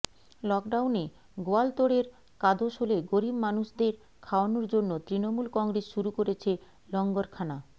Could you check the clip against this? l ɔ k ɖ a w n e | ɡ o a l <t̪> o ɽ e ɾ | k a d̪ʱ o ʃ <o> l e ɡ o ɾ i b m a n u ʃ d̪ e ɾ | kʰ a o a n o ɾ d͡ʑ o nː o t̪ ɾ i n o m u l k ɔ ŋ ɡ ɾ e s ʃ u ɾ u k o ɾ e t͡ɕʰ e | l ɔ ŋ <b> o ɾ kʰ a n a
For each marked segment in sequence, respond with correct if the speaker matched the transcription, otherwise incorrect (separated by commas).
correct, correct, incorrect